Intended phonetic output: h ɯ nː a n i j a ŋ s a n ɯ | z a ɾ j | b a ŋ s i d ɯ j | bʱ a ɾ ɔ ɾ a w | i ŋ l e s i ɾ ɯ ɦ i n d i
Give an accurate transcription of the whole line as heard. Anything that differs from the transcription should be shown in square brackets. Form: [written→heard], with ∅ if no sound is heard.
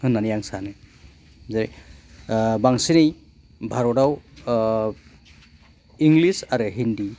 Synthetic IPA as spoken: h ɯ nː a n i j a ŋ s a n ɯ | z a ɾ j | b a ŋ s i [d→n] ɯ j | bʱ a ɾ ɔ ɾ a w | i ŋ l [e→i] s [i→a] ɾ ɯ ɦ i n d i